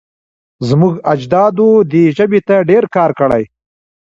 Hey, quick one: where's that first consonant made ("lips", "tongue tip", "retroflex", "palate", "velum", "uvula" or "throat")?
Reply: tongue tip